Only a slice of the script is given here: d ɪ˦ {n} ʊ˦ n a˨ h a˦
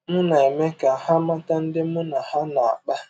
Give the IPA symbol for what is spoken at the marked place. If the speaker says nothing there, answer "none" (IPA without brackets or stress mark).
m